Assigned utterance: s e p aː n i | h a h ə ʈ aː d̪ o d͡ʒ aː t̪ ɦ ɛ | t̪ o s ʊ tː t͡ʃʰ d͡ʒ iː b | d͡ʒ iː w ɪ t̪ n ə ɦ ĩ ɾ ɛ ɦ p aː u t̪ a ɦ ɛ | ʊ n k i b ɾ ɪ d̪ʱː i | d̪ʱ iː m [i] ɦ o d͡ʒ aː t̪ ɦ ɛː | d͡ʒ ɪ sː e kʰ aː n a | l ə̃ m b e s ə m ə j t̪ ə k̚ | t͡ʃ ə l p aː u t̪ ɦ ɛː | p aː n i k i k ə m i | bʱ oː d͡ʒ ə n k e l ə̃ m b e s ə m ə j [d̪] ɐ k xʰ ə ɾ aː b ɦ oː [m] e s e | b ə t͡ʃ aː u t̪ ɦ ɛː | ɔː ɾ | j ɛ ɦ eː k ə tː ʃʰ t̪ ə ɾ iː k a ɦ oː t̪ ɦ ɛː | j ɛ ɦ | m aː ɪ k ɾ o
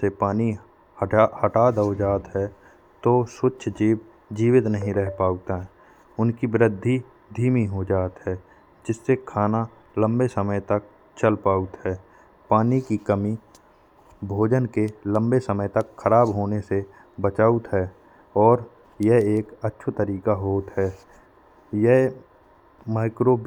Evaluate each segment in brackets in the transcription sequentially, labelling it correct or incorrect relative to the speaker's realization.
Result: correct, incorrect: t̪, incorrect: n

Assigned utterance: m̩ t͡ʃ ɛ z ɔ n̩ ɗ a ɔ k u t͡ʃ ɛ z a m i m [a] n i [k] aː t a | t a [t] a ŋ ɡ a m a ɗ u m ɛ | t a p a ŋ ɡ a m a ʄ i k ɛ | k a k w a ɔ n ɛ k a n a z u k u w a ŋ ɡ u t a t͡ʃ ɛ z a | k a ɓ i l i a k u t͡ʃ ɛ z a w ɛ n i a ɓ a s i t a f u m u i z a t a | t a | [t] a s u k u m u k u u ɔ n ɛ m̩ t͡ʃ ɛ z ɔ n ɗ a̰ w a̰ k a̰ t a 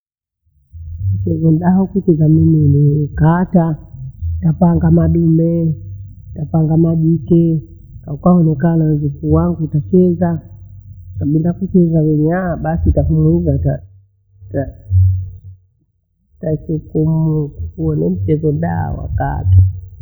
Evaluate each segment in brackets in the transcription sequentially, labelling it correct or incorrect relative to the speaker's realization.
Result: incorrect: i, correct, incorrect: p, correct

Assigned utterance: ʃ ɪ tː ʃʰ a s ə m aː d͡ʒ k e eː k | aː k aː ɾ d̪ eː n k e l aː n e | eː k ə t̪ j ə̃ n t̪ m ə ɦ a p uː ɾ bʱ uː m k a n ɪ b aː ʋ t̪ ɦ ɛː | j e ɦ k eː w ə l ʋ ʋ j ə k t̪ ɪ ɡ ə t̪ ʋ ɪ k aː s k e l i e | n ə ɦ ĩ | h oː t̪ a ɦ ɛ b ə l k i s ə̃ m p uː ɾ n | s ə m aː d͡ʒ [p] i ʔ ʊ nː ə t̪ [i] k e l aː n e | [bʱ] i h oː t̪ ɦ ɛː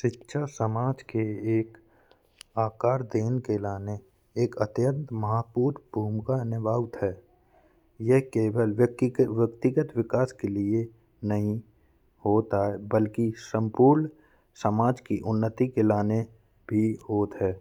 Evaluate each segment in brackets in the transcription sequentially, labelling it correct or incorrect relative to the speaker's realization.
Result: incorrect: k, correct, correct

